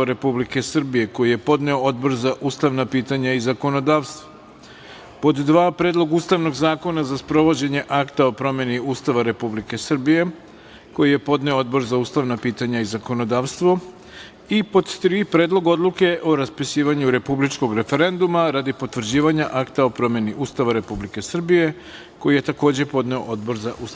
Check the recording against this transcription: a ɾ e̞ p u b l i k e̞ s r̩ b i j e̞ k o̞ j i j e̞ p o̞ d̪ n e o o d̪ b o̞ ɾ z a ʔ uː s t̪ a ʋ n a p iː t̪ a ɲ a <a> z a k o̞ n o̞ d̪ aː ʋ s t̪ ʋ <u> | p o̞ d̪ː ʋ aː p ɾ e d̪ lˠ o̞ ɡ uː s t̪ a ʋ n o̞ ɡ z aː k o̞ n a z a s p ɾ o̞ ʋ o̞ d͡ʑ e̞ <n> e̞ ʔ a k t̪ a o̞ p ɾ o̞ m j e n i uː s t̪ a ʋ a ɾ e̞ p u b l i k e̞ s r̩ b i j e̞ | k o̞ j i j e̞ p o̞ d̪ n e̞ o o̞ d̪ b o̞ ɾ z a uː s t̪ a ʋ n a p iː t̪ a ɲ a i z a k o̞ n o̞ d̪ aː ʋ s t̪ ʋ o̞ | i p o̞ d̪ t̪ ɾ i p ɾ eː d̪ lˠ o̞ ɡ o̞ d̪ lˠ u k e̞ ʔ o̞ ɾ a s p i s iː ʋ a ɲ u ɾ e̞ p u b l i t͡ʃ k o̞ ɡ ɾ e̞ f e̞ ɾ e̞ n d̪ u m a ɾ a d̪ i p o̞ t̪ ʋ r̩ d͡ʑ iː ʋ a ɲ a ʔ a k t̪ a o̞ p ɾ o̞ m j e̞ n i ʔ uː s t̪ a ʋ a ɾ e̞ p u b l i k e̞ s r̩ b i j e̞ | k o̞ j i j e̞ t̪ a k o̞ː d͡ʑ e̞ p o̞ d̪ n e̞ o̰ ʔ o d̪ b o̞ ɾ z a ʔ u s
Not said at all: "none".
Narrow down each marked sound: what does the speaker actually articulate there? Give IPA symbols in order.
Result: i, o, ɲ

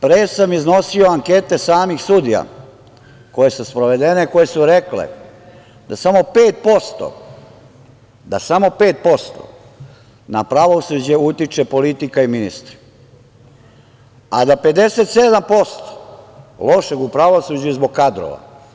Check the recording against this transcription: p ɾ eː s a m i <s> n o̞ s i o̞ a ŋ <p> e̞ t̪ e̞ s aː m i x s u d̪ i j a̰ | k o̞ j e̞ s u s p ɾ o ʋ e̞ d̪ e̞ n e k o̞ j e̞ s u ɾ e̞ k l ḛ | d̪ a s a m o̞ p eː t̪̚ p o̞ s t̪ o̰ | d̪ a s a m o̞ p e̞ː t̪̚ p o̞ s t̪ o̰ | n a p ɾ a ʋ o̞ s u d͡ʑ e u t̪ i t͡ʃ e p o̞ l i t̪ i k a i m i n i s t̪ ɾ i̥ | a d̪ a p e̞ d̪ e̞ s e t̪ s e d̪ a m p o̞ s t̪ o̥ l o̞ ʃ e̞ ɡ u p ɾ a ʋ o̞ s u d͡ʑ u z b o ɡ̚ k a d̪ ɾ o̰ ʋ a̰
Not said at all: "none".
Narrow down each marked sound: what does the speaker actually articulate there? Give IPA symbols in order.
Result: z, k

